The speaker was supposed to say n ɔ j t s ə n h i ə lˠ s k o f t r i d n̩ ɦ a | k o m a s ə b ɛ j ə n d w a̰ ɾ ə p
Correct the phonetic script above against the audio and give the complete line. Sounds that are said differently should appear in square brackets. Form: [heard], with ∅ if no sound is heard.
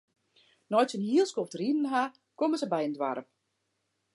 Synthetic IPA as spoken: n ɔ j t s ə n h i ə lˠ s k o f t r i d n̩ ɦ a | k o m [ə] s ə b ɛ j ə n d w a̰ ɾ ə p